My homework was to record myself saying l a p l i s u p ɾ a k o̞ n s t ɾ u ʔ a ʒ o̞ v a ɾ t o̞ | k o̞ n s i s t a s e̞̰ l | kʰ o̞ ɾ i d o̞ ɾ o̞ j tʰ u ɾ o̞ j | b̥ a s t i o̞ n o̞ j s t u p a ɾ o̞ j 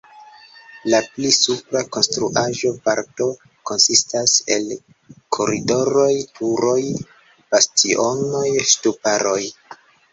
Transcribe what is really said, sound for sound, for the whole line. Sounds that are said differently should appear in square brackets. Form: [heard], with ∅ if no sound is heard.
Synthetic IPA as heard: l a p l i s u p ɾ a k o̞ n s t ɾ u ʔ a ʒ o̞ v a ɾ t o̞ | k o̞ n s i s t a s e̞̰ l | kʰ o̞ ɾ i d o̞ ɾ o̞ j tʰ u ɾ o̞ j | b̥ a s t i o̞ n o̞ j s t u p a ɾ o̞ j